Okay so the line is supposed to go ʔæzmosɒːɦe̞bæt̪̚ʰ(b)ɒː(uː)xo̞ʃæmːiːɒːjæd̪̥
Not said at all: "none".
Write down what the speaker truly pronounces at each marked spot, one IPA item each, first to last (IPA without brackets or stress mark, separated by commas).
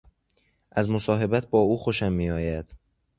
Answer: b, uː